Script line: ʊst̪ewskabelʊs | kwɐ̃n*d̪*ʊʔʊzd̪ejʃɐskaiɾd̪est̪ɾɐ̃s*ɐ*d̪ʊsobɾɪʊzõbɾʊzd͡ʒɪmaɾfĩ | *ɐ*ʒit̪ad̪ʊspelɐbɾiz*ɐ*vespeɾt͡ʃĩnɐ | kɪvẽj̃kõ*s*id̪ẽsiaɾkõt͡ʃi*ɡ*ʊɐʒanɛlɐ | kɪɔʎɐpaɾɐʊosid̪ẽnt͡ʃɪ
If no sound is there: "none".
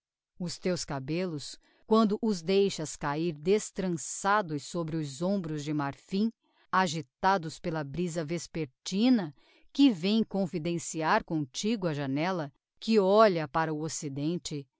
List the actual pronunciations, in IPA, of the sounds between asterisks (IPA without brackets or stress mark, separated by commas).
d̪, a, a, ɐ, f, ɡ